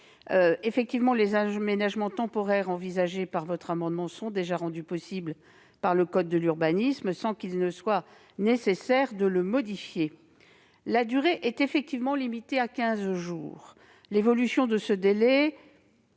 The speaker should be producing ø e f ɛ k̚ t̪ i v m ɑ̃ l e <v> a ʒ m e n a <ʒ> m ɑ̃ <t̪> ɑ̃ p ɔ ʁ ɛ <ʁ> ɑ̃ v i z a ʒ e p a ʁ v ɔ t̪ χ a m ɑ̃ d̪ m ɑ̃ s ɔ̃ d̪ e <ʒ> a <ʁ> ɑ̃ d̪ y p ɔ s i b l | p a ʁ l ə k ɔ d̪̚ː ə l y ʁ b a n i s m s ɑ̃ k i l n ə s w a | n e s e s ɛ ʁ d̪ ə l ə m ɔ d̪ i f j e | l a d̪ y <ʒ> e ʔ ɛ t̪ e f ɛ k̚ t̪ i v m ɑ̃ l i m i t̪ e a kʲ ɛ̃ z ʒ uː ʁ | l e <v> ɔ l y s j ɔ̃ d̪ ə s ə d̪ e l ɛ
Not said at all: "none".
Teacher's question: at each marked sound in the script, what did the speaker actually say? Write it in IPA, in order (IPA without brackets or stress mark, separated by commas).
z, ʒ, t̪, ʁ, ʒ, ʁ, ʁ, v